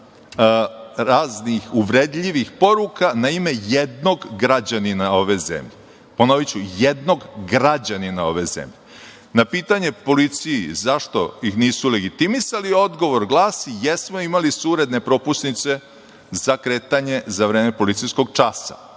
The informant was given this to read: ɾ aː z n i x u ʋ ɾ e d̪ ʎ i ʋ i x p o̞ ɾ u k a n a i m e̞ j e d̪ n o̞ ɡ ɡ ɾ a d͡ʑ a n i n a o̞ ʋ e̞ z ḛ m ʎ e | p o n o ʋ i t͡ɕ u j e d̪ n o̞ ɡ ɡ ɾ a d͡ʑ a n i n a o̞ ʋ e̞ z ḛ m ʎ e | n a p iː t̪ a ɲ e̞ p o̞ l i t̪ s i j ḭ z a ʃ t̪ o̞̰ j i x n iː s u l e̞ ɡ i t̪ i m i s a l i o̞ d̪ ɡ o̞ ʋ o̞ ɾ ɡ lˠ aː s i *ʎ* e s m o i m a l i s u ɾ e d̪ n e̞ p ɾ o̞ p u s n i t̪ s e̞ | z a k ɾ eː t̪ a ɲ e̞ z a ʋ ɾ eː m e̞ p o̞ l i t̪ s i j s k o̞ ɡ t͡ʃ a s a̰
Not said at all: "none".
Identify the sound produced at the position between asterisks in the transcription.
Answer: j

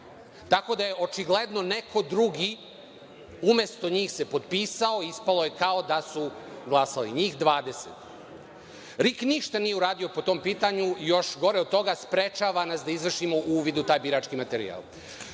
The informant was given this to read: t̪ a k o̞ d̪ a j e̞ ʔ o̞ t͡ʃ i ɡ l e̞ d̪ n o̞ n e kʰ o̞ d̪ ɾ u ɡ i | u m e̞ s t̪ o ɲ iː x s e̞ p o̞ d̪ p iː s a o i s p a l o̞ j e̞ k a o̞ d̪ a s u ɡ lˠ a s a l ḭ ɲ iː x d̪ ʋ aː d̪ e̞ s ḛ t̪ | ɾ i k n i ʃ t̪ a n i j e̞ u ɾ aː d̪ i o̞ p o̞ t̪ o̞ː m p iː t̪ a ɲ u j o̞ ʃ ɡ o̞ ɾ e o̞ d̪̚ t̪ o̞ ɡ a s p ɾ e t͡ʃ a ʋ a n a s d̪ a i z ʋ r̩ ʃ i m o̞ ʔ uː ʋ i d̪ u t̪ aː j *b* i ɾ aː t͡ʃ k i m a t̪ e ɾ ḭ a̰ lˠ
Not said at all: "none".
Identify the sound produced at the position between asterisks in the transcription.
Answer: b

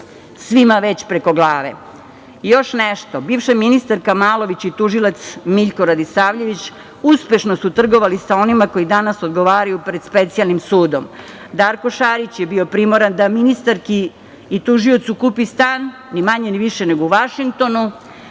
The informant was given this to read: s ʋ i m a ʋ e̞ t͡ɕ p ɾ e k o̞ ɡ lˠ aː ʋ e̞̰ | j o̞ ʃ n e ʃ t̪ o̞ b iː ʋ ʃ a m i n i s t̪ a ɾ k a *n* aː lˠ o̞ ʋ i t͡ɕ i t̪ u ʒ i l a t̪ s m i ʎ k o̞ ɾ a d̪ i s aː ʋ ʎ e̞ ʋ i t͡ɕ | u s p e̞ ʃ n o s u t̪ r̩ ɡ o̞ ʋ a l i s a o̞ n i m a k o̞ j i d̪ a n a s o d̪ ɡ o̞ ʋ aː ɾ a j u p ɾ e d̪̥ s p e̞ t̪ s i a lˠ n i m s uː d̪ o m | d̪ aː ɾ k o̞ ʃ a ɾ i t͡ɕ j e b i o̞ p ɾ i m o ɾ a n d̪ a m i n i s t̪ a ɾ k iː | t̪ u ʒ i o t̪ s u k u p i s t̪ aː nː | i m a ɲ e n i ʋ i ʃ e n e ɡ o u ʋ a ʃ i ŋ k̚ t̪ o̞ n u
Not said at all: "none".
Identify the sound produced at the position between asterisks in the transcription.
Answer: m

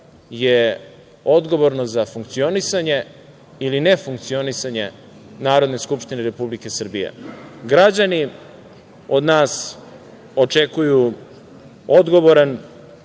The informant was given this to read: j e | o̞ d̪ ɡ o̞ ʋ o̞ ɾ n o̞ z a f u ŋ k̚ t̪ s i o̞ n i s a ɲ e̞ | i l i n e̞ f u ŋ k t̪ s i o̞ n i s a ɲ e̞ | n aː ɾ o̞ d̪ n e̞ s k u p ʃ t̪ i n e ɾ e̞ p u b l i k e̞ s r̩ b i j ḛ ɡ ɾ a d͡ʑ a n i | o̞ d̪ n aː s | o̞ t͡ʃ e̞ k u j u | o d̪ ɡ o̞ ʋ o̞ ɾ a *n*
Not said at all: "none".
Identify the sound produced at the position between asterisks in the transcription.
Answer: n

